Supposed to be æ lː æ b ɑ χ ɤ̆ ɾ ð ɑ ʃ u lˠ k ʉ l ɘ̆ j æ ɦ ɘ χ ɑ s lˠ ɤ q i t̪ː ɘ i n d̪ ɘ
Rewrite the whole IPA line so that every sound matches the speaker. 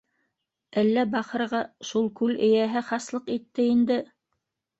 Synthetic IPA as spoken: æ lː æ b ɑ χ ɤ̆ ɾ ʁ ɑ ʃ u lˠ k ʉ l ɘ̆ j æ ɦ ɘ χ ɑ s lˠ ɤ q i t̪ː ɘ i n d̪ ɘ